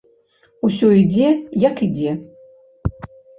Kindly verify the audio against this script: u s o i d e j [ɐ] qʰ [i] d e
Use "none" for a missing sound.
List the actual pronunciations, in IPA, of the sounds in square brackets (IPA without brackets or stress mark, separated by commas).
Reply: a, i